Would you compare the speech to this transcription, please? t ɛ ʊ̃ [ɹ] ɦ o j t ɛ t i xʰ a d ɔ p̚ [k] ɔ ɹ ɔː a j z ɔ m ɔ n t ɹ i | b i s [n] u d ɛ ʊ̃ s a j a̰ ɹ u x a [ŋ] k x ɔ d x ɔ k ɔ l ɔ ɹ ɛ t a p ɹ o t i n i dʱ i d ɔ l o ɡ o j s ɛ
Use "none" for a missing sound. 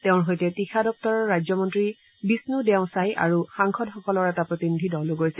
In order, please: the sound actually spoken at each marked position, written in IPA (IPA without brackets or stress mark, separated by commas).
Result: ɹ, t, n, ŋ